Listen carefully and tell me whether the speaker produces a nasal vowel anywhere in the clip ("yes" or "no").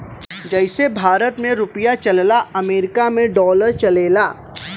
yes